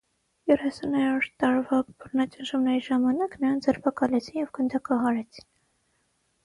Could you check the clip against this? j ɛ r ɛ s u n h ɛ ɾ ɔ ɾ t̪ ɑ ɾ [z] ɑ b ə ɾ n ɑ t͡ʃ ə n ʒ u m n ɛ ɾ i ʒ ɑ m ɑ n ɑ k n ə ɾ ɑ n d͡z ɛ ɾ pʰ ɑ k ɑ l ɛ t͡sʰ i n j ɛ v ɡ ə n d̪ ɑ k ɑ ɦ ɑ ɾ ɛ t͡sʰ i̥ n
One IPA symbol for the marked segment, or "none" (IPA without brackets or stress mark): v